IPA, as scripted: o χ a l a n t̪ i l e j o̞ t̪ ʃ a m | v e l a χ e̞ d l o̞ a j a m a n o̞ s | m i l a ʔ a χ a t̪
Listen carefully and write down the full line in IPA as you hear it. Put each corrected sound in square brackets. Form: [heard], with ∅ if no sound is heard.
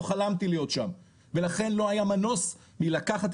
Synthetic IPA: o χ a l a [m] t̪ i l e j o̞ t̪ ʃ a m | v e l a χ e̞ [n] l o̞ a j a m a n o̞ s | m i l a [k] a χ a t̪